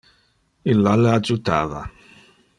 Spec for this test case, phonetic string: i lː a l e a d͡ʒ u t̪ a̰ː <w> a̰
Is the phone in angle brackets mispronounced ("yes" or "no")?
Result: yes